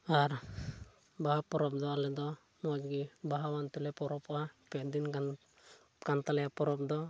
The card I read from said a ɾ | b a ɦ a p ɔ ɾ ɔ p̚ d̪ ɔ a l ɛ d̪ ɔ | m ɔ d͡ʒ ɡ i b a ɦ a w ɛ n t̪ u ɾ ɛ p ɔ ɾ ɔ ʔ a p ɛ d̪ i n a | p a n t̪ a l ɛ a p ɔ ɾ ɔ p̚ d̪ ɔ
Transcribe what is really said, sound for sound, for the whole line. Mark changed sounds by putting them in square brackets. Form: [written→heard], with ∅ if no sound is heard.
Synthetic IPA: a ɾ | b a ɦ a p ɔ ɾ ɔ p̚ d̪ ɔ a l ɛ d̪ ɔ | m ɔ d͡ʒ ɡ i b a ɦ a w [ɛ→a] n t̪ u [ɾ→l] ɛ p ɔ ɾ ɔ [ʔ→p] a p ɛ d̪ i n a | [p→k] a n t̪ a l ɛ a p ɔ ɾ ɔ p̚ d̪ ɔ